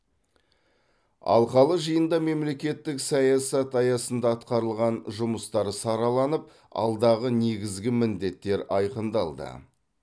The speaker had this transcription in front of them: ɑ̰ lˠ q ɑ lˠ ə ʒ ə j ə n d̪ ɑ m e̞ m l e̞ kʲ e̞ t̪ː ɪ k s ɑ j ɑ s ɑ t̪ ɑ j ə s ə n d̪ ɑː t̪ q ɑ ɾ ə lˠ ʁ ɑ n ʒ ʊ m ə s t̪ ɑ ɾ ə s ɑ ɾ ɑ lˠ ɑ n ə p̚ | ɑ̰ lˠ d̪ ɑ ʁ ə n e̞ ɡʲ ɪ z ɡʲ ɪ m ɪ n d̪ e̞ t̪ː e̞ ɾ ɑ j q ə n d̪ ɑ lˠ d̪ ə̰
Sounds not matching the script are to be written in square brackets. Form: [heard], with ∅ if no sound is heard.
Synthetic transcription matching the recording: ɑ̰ lˠ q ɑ lˠ ə ʒ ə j ə n d̪ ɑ m e̞ m l e̞ kʲ e̞ t̪ː ɪ k s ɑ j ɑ s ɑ t̪ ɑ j [ɑ] s ə n d̪ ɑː t̪ q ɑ ɾ ə lˠ ʁ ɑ n ʒ ʊ m ə s t̪ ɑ ɾ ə s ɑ ɾ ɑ lˠ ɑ n ə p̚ | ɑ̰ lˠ d̪ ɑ ʁ ə n e̞ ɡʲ ɪ z ɡʲ ɪ m ɪ n d̪ e̞ t̪ː e̞ ɾ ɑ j q ə n d̪ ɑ lˠ d̪ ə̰